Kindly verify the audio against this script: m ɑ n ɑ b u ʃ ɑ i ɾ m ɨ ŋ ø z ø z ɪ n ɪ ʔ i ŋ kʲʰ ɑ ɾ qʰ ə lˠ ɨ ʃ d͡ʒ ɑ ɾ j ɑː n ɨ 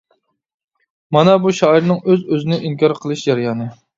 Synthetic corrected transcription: m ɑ n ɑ b u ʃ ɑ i ɾ n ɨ ŋ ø z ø z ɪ n ɪ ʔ i ŋ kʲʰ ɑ ɾ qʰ ə lˠ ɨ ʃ d͡ʒ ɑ ɾ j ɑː n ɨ